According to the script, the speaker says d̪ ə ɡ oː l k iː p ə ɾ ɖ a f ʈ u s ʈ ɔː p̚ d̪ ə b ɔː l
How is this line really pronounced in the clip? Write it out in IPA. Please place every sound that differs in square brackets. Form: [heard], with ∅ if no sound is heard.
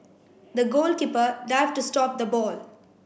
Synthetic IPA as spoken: d̪ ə ɡ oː l k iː p ə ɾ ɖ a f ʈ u s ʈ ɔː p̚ d̪ ə b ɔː l